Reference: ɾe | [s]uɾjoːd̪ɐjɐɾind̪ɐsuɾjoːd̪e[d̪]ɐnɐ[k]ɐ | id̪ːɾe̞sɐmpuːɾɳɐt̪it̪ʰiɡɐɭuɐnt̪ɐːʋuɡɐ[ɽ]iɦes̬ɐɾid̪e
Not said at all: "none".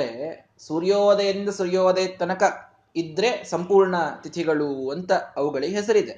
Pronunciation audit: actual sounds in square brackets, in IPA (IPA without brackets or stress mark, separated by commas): s, t̪, k, ɭ